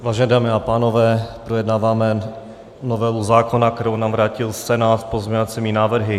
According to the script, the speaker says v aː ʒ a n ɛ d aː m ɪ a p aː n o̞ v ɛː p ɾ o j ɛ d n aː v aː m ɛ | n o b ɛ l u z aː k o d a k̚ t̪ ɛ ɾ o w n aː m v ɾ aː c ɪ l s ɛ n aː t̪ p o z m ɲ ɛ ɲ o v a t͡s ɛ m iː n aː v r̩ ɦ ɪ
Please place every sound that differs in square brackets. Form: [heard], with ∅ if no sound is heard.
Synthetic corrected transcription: v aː ʒ [ɛ] n ɛ d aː m ɪ a p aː n o̞ v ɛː p ɾ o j ɛ d n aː v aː m ɛ | n o [v] ɛ l u z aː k o [n] a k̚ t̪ ɛ ɾ o w n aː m v ɾ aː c ɪ l s ɛ n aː t̪ p o z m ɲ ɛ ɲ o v a t͡s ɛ m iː n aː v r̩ ɦ ɪ